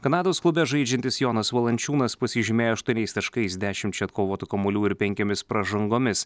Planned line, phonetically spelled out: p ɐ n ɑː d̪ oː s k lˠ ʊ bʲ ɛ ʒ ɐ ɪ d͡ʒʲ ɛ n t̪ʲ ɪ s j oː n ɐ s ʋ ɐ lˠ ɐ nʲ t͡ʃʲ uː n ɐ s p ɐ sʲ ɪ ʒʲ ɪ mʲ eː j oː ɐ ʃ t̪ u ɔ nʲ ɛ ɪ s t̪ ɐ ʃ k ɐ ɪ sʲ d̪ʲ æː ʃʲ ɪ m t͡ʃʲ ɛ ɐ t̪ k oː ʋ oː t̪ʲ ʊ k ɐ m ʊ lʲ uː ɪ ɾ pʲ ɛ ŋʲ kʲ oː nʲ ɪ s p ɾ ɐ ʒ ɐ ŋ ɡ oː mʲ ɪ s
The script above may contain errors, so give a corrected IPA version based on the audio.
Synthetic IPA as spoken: k ɐ n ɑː d̪ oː s k lˠ ʊ bʲ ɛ ʒ ɐ ɪ d͡ʒʲ ɛ n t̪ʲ ɪ s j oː n ɐ s ʋ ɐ lˠ ɐ nʲ t͡ʃʲ uː n ɐ s p ɐ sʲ ɪ ʒʲ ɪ mʲ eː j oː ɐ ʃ t̪ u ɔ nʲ ɛ ɪ s t̪ ɐ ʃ k ɐ ɪ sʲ d̪ʲ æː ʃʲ ɪ m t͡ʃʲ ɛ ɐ t̪ k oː ʋ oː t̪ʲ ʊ k ɐ m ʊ lʲ uː ɪ ɾ pʲ ɛ ŋʲ kʲ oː mʲ ɪ s p ɾ ɐ ʒ ɐ ŋ ɡ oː mʲ ɪ s